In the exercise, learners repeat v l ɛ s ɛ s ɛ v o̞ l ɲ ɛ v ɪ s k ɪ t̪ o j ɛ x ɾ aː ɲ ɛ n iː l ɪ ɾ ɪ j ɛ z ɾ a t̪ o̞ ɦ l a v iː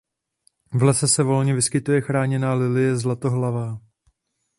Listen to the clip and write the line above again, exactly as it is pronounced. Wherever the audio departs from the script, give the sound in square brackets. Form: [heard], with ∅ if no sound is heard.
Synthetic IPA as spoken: v l ɛ s ɛ s ɛ v o̞ l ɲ ɛ v ɪ s k ɪ t̪ [u] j ɛ x ɾ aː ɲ ɛ n [aː] l ɪ [l] ɪ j ɛ z [l] a t̪ o̞ ɦ l a v [aː]